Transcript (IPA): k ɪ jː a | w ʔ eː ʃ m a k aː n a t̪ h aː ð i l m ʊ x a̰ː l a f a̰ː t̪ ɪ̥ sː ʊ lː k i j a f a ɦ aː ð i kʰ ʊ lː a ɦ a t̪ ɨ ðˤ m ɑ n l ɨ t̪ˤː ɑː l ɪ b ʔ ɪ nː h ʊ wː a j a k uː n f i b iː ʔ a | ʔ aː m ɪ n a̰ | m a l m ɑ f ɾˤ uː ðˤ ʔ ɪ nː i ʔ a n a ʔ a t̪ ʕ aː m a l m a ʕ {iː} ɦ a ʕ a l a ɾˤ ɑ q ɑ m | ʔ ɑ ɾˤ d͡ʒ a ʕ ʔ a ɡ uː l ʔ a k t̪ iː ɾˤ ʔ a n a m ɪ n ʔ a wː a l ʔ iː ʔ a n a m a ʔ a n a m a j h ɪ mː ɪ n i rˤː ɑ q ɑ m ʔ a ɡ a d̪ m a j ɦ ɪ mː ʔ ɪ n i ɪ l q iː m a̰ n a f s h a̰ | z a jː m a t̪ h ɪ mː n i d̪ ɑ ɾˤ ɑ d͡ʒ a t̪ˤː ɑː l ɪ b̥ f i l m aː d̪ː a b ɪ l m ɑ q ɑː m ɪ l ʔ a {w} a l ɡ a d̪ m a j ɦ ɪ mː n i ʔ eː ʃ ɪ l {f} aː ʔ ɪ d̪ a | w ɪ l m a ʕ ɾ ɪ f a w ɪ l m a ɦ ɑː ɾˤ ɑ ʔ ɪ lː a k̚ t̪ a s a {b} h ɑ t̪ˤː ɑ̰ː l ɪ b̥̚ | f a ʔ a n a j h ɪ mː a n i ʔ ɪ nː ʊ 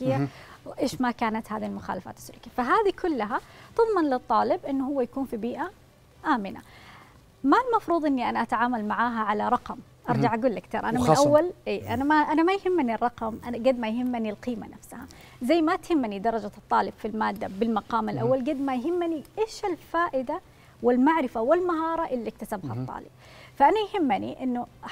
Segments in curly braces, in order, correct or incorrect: incorrect: aː, incorrect: wː, correct, correct

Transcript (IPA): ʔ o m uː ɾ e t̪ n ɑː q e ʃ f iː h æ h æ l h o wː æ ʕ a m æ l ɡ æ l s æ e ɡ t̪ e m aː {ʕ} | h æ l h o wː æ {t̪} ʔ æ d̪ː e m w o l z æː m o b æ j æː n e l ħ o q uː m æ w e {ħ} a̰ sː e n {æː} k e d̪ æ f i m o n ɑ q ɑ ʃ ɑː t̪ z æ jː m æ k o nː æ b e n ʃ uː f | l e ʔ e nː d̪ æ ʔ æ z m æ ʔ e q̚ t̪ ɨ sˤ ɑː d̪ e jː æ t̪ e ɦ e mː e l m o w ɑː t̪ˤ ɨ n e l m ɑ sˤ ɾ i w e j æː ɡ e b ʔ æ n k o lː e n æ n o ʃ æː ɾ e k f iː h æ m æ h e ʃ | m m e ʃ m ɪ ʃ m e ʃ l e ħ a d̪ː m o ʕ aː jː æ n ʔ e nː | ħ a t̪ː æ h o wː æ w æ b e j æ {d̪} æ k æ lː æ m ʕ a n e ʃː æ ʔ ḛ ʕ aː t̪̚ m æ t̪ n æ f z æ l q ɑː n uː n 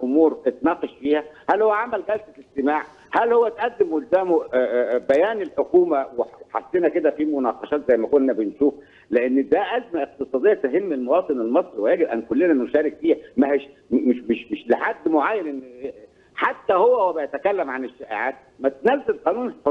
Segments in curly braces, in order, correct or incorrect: correct, correct, correct, incorrect: æ, incorrect: t̪

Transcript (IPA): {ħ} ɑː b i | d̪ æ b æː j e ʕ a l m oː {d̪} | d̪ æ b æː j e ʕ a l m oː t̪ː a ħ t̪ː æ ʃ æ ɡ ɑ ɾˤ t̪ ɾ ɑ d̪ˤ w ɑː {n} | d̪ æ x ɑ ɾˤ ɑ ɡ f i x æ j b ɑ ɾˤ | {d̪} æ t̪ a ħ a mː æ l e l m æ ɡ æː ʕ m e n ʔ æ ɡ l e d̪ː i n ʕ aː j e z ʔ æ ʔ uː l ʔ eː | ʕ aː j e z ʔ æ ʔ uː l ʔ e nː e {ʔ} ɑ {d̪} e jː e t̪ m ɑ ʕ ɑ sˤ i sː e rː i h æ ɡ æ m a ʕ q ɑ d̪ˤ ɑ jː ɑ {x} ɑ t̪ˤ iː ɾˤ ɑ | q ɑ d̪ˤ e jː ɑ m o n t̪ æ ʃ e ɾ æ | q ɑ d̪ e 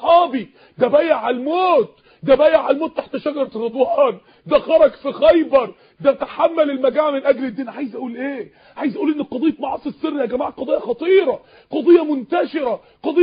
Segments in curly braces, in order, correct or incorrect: correct, incorrect: t̪, correct, correct, incorrect: q, correct, correct

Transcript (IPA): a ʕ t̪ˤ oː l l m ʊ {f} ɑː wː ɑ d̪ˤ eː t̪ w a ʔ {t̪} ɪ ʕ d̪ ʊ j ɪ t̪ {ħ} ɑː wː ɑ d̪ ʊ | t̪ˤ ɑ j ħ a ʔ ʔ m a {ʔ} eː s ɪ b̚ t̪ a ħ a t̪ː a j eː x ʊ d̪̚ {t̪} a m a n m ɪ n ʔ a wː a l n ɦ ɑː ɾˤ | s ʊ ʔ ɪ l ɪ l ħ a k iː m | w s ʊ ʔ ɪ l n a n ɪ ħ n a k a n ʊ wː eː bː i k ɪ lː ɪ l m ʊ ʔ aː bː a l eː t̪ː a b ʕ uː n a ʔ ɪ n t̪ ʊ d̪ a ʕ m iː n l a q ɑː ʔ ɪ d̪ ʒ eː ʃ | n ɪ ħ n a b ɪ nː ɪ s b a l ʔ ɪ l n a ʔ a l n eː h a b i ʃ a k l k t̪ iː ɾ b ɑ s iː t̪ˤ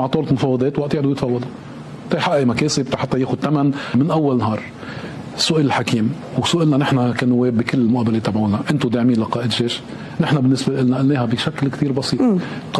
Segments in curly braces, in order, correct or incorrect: correct, correct, incorrect: f, incorrect: k, correct

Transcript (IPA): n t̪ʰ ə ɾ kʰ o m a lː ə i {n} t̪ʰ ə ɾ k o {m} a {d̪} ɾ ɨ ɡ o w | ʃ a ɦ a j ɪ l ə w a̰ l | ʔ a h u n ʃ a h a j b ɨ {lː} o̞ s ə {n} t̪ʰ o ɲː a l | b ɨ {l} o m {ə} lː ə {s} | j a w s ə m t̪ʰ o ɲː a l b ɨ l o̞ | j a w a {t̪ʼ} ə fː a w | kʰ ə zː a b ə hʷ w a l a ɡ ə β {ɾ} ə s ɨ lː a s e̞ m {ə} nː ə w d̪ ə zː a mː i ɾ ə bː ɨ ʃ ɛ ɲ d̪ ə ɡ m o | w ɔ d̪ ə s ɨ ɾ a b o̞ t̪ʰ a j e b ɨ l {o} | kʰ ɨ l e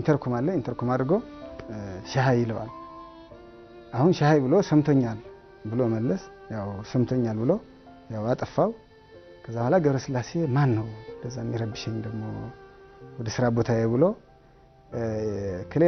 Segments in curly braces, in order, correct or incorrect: correct, correct, correct, incorrect: l, incorrect: m, correct, correct, correct, correct, correct, incorrect: a, correct

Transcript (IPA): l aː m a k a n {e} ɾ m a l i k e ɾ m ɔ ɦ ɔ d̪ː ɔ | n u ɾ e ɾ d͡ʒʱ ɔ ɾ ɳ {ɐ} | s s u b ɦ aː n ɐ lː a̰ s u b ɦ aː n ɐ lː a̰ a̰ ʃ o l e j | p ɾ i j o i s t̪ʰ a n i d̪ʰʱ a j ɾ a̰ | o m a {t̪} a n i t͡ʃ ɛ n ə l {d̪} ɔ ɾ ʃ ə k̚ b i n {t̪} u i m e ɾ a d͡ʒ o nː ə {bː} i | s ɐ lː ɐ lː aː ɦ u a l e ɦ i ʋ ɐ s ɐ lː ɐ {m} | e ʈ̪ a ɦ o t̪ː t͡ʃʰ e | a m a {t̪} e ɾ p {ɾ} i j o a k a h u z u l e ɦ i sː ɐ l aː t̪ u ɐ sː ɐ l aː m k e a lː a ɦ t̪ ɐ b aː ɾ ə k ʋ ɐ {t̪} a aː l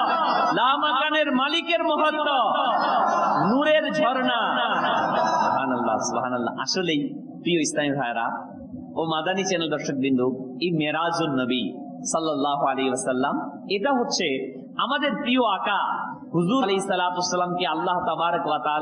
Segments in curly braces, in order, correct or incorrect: correct, incorrect: a, incorrect: d̪, correct, incorrect: d̪, incorrect: b, correct, incorrect: d̪, correct, correct

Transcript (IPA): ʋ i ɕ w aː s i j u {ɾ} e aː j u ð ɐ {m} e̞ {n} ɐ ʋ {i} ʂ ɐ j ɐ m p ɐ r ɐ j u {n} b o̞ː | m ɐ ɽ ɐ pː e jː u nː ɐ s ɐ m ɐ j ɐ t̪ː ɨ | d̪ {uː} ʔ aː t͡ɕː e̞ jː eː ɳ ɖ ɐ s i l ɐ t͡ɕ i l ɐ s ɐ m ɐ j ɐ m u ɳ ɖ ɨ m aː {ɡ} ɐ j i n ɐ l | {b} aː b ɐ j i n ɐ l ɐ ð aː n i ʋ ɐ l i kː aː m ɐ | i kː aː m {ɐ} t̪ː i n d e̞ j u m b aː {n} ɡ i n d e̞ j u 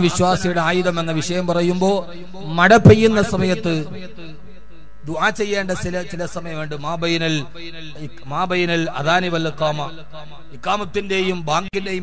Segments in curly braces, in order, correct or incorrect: incorrect: ɽ, correct, incorrect: nː, correct, incorrect: m, incorrect: u, incorrect: b, incorrect: m, correct, incorrect: ŋ

